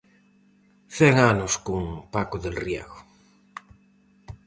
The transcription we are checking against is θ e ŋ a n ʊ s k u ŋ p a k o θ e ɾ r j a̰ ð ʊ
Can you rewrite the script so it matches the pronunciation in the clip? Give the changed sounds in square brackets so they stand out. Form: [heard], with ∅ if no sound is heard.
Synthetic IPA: θ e ŋ a n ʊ s k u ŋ p a k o [ð] e [l] r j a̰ [ɣ] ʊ